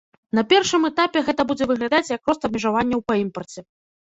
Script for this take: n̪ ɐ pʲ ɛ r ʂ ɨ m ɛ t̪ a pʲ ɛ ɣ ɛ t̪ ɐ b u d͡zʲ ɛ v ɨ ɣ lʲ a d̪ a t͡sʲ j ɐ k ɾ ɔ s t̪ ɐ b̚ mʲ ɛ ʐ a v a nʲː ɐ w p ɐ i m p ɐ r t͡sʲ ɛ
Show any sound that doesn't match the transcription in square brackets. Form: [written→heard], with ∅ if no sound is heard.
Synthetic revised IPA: n̪ ɐ pʲ ɛ r ʂ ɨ m ɛ t̪ a pʲ ɛ ɣ ɛ t̪ ɐ b u d͡zʲ ɛ v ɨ ɣ lʲ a d̪ a t͡sʲ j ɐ k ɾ ɔ s t̪ ɐ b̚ mʲ ɛ ʐ a v a nʲː ɐ w p ɐ i m p ɐ r t͡sʲ ɛ